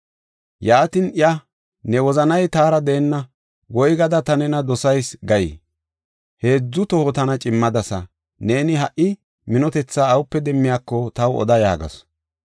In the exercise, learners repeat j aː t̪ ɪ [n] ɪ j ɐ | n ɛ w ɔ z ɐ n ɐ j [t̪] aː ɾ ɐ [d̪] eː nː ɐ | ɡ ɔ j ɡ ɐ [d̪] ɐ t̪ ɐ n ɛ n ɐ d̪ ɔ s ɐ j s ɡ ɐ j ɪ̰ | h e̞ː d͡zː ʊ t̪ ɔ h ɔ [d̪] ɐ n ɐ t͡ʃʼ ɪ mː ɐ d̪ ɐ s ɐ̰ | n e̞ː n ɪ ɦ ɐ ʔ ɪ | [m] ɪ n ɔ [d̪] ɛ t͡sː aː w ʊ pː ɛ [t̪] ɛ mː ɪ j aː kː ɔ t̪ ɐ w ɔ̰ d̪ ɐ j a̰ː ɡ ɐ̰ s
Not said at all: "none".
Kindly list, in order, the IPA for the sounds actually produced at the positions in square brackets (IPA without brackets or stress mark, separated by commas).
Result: n, t̪, d̪, d̪, t̪, m, t̪, d̪